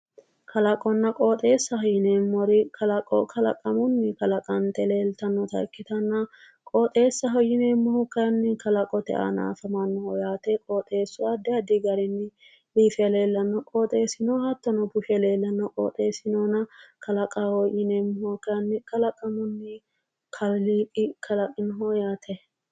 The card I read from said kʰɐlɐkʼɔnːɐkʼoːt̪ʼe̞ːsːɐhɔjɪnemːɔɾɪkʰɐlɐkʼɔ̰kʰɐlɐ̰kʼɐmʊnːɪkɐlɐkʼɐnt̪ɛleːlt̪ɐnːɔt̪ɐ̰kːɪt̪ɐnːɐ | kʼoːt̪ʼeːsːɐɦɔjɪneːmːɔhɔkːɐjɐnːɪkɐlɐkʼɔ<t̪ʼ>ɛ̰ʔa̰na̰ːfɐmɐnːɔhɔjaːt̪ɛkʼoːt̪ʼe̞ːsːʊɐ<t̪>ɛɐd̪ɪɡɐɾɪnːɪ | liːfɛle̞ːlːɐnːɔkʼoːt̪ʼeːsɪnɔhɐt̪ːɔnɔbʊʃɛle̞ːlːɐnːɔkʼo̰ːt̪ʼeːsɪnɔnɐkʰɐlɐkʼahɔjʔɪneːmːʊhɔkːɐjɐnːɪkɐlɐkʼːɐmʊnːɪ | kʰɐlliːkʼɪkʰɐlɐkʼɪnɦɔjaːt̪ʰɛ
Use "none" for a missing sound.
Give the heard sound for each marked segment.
t̪, d̪

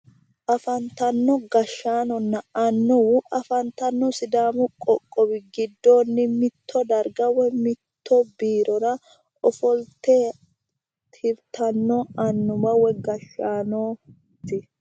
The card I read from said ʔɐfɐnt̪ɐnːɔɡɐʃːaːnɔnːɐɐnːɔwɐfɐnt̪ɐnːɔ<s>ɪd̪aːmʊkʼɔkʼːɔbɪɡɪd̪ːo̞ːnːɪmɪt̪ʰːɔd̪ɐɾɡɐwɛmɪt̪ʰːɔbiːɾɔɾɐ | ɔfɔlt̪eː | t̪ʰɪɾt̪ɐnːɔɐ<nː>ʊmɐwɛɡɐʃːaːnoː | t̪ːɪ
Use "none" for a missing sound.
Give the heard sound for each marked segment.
s, nː

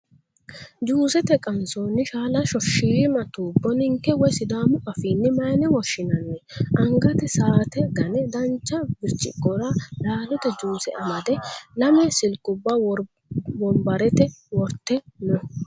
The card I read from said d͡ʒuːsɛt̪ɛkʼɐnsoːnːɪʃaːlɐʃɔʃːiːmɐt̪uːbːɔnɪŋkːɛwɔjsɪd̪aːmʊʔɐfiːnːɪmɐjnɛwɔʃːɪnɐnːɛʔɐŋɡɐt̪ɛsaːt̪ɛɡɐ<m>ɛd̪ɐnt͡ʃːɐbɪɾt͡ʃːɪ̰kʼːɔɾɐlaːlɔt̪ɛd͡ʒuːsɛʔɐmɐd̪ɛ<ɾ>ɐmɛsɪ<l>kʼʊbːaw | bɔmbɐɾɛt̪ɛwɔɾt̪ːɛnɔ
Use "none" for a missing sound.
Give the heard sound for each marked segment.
n, l, l

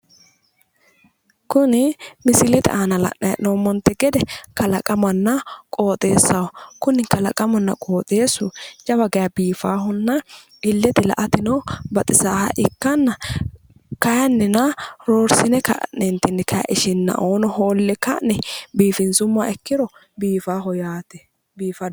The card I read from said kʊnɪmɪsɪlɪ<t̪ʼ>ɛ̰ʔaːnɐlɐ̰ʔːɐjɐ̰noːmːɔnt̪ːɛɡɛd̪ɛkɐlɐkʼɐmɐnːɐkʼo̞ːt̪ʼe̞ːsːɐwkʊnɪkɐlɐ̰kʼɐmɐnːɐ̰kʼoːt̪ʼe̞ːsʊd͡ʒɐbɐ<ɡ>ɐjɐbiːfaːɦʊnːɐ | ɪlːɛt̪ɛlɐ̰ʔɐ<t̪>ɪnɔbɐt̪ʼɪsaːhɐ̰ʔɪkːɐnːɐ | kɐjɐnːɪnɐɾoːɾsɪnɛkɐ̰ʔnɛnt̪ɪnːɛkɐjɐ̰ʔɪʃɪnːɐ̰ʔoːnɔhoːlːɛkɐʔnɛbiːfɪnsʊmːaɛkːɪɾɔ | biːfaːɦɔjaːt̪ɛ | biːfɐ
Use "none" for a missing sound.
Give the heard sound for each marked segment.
t̪, ɡ, t̪

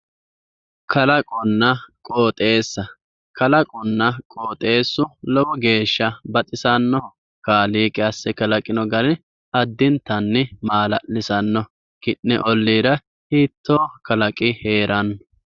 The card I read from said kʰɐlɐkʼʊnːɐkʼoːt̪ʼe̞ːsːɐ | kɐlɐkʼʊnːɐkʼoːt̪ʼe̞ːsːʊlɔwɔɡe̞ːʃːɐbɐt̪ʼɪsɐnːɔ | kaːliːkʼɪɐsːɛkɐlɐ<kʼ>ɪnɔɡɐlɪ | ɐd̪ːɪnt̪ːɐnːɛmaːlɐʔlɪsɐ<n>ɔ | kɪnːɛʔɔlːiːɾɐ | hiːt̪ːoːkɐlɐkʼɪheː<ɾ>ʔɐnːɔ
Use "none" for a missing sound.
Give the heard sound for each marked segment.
kʼ, nː, ɾ

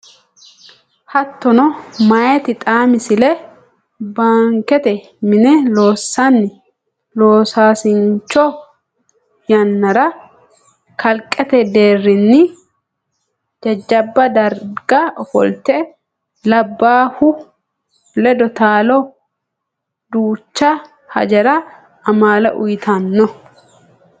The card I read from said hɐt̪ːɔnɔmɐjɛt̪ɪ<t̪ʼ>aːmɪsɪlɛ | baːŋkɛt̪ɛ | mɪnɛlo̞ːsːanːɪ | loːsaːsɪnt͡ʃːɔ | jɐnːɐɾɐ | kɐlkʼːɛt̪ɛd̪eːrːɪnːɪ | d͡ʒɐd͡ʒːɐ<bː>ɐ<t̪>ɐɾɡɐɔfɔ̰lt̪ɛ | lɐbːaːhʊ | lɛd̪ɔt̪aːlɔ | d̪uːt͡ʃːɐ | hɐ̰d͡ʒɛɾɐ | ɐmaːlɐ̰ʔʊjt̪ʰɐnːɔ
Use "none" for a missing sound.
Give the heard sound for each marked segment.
t̪ʼ, bː, d̪

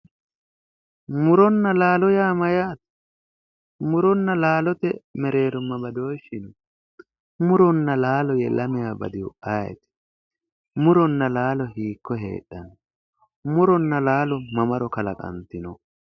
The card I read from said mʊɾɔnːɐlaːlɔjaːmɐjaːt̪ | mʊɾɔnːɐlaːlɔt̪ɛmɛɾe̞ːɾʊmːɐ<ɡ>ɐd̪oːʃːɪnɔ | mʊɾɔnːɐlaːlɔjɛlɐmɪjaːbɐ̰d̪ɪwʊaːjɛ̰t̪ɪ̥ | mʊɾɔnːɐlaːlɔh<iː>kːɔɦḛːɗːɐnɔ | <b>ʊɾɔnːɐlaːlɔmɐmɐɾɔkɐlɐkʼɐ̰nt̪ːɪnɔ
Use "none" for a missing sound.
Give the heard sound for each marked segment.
b, iː, m

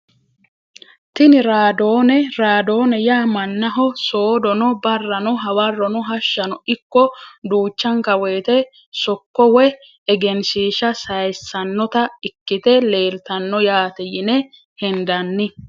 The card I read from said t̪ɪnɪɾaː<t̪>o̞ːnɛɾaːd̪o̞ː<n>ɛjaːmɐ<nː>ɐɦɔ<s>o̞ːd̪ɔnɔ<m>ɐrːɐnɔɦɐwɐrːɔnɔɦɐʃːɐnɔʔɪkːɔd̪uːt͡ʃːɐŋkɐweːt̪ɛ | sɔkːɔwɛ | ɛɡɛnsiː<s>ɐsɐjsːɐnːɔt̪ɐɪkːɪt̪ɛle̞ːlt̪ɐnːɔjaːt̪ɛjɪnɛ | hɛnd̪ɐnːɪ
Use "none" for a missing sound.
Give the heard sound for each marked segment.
d̪, n, nː, s, b, ʃ

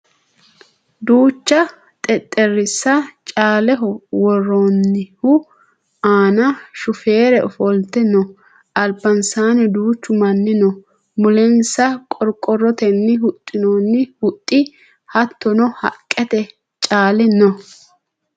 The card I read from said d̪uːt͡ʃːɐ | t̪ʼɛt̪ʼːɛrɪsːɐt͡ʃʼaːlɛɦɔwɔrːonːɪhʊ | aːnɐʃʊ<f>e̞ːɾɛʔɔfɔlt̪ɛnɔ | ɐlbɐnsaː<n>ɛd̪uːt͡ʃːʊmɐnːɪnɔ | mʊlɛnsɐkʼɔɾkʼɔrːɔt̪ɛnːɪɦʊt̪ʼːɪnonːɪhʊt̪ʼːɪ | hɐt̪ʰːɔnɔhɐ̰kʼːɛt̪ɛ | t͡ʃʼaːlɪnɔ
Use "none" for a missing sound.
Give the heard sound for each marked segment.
f, n

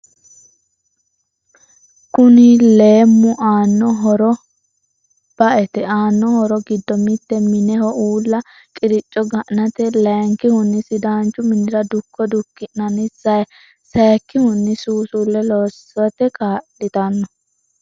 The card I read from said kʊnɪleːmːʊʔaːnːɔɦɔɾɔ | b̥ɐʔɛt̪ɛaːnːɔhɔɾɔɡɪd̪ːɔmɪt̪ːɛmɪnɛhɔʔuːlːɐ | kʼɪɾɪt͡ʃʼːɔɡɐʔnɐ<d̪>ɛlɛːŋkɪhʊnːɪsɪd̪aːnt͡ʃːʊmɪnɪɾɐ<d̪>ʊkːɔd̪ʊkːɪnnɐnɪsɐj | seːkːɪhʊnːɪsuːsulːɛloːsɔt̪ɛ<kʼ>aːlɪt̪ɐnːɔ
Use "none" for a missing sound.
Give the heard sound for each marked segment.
t̪, d̪, k

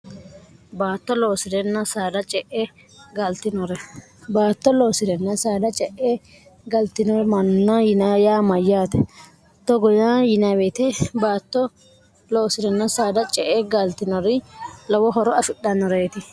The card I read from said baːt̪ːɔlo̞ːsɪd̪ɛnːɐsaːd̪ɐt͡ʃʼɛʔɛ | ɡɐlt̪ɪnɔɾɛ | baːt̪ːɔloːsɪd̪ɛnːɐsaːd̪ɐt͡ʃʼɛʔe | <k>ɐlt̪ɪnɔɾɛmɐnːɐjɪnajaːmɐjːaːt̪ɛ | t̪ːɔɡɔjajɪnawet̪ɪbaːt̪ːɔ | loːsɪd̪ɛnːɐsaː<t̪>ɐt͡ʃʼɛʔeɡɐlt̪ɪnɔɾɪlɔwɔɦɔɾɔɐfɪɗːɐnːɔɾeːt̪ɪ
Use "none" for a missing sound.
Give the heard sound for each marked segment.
ɡ, d̪

